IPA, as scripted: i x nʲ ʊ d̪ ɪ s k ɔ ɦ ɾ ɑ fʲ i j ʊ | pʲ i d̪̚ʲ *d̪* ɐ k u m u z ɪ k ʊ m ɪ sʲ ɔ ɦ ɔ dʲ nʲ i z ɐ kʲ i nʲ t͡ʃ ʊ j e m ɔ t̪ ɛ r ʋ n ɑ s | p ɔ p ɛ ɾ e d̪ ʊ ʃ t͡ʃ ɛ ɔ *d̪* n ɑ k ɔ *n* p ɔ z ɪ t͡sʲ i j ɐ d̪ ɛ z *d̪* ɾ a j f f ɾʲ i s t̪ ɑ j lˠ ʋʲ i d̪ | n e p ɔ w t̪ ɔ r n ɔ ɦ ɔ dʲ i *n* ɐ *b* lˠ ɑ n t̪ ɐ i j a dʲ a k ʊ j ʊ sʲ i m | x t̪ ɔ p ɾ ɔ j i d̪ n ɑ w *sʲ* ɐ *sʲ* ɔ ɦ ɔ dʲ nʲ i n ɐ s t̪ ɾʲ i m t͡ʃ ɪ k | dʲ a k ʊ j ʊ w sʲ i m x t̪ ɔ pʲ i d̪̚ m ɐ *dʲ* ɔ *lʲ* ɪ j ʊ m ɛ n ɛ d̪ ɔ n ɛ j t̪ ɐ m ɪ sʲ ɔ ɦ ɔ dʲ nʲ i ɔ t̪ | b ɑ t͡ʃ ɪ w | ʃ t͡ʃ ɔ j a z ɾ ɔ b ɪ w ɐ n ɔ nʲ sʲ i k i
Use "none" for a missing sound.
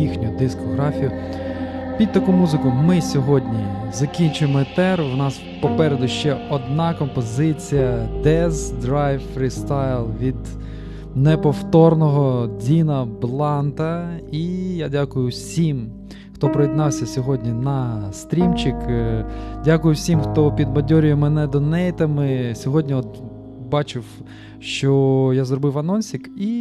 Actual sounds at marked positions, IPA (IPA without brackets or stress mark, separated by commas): t̪, d̪, m, d̪, n, b, sʲ, sʲ, dʲ, ɾʲ